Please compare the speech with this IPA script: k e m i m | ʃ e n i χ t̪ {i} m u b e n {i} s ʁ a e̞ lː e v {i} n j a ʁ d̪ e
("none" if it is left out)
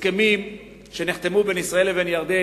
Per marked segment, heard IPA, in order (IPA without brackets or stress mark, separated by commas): e, i, e